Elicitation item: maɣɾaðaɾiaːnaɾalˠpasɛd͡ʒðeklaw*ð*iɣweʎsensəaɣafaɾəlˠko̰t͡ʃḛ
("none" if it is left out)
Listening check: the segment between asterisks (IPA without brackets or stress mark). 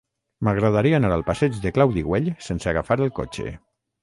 ð